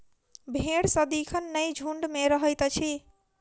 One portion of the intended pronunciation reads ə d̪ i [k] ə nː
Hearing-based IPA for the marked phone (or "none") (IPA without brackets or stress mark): kʰ